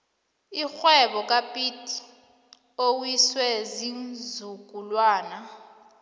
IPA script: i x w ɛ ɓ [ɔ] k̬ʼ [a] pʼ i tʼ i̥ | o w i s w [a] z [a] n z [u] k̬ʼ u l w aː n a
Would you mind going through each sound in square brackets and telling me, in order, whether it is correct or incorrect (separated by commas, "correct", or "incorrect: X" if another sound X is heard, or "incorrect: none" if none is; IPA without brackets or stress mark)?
correct, correct, incorrect: ɛ, incorrect: i, correct